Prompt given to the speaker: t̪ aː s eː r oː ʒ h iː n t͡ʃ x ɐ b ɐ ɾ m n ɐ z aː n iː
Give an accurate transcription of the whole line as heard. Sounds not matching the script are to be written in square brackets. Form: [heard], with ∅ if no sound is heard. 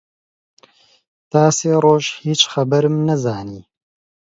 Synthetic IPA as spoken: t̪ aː s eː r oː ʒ h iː [∅] t͡ʃ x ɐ b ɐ ɾ m n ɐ z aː n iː